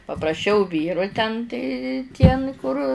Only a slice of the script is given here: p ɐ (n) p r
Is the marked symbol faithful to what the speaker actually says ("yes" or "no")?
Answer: no